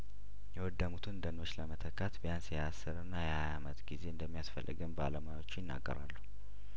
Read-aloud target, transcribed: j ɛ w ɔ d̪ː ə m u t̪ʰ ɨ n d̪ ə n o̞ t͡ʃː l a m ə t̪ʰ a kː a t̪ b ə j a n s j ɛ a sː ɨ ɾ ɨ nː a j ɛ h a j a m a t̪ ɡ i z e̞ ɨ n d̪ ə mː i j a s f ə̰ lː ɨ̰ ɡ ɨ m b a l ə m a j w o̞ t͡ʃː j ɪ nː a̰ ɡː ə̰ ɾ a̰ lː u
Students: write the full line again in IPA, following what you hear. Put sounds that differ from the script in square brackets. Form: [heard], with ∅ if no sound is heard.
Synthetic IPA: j ɛ w ɔ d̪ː ə m u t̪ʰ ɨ n d̪ ə n o̞ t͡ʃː l [ə] m ə t̪ʰ [ə] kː a t̪ b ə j a n s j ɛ a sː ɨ ɾ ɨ nː a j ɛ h a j a m [ə] t̪ ɡ i z e̞ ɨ n d̪ ə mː i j a s f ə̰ lː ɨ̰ ɡ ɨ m b a l ə m a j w o̞ t͡ʃː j ɪ nː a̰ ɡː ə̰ ɾ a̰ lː u